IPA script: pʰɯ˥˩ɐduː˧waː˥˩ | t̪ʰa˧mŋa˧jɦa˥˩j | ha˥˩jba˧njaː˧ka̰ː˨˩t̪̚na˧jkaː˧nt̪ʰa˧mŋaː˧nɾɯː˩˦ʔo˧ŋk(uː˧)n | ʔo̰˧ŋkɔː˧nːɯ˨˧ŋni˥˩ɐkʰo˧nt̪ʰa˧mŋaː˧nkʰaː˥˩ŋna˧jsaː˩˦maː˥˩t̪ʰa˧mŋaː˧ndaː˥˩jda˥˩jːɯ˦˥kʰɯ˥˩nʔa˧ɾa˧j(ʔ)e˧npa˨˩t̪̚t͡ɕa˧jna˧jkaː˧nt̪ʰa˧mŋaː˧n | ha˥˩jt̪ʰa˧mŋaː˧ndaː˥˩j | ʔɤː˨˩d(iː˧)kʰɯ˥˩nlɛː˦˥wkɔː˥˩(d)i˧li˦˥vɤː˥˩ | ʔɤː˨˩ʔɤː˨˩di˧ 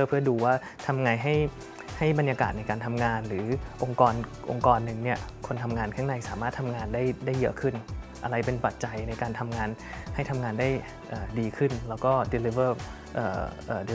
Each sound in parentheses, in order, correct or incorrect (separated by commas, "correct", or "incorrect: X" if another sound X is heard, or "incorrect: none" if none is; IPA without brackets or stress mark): incorrect: ɔː˧, incorrect: p, correct, correct